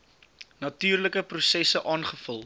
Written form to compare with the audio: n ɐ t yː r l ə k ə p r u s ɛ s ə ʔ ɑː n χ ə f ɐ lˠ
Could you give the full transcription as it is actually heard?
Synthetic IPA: n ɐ t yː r l ə k ə p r u s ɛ s ə ʔ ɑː n χ ə f ə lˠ